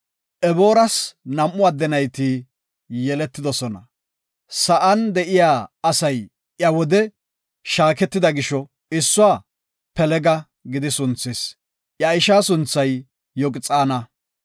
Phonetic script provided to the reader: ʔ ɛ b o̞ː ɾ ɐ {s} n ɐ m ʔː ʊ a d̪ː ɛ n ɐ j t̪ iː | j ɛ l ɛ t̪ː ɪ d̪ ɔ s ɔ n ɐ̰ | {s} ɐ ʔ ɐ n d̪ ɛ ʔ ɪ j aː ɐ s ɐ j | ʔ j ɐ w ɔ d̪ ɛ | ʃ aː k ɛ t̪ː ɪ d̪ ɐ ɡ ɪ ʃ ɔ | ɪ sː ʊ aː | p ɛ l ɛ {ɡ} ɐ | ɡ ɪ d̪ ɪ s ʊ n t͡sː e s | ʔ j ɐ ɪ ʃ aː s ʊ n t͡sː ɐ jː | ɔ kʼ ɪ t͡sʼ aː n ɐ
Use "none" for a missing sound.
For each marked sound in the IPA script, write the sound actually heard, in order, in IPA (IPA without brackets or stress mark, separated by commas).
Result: s, s, ɡ